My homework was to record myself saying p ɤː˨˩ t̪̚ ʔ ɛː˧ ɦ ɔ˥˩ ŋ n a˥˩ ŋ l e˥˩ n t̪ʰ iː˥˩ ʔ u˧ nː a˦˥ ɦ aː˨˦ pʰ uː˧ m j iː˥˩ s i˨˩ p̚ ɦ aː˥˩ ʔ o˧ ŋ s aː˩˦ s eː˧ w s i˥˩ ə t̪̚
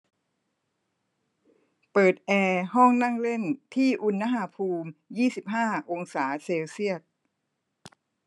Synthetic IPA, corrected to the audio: p ɤː˨˩ t̪̚ ʔ ɛː˧ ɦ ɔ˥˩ ŋ n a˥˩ ŋ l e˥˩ n t̪ʰ iː˥˩ ʔ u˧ nː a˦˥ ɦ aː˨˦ pʰ uː˧ m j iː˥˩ s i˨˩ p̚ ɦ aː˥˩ ʔ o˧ ŋ s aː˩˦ s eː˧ w s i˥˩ ə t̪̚